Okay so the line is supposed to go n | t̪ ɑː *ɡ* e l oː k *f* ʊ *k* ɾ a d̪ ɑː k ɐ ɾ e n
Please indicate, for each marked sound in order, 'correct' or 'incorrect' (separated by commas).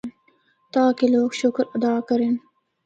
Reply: incorrect, incorrect, correct